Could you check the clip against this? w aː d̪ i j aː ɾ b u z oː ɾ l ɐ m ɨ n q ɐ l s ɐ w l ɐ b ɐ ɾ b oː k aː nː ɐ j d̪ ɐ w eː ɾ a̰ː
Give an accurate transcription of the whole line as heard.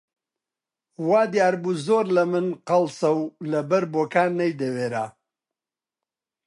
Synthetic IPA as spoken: w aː d̪ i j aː ɾ b u z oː ɾ l ɐ m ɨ n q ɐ l s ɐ w l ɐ b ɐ ɾ b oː k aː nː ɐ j d̪ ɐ w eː ɾ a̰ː